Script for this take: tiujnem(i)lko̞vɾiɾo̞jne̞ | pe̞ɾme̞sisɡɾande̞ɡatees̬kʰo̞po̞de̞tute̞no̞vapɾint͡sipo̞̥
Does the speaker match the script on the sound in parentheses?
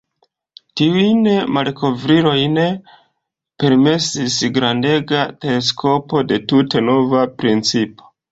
no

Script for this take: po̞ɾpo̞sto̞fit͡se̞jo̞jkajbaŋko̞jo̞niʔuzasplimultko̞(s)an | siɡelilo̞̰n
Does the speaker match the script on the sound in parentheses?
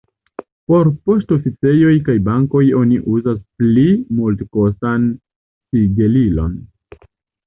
yes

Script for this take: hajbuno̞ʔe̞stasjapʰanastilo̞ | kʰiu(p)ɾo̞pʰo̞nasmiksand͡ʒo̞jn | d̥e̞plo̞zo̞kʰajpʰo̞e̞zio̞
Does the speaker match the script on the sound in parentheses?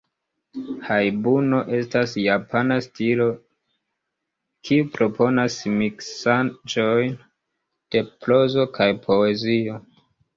yes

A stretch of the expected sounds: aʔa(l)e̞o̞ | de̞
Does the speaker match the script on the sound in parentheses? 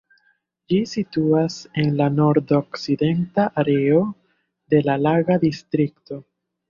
no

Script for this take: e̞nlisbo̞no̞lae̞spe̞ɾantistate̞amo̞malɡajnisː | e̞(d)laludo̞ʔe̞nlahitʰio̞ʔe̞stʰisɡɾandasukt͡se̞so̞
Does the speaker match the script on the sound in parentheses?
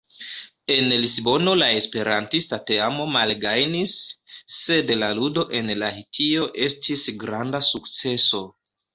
yes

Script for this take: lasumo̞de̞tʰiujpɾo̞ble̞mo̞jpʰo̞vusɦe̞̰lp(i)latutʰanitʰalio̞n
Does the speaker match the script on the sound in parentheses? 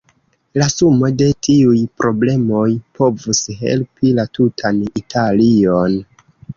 yes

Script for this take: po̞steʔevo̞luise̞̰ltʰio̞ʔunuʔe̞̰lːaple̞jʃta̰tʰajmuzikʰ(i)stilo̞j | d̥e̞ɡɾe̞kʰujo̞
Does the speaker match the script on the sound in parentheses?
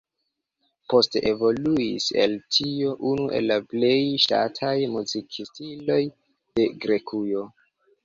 yes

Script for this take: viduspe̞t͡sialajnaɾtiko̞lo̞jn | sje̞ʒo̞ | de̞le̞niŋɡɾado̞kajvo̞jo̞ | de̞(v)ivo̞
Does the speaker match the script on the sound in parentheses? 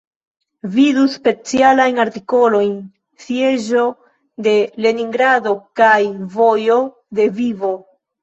yes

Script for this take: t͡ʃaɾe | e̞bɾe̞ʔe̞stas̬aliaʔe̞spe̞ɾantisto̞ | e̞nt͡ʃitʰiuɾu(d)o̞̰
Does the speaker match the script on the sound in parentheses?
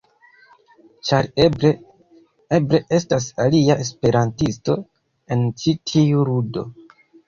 yes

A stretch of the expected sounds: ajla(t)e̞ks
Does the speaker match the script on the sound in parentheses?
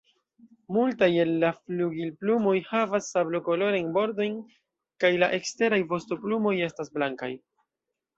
no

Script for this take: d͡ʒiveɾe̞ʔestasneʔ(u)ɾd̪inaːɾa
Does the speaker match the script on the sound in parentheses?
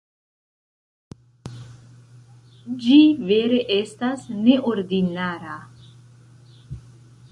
no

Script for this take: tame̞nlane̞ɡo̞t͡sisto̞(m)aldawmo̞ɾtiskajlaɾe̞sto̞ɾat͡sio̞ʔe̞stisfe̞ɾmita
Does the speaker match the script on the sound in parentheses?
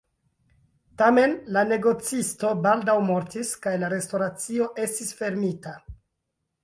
no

